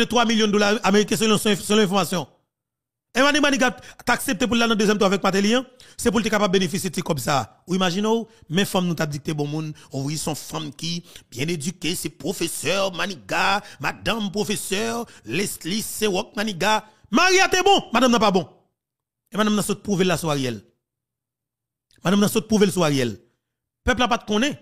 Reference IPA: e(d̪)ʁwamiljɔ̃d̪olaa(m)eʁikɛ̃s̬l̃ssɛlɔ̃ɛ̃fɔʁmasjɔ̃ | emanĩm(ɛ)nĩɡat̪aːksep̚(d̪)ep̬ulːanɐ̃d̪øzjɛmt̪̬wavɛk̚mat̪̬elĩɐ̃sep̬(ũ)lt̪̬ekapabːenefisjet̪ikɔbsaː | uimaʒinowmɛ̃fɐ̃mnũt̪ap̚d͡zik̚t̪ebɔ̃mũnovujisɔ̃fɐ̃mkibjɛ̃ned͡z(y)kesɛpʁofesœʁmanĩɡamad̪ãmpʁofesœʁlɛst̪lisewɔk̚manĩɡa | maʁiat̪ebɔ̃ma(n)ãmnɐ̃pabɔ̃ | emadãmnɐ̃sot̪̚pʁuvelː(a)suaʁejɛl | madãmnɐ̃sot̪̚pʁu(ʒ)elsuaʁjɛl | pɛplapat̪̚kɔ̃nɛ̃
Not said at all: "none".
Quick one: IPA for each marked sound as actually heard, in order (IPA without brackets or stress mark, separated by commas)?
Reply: t̪, m, a, t̪, u, y, d, a, v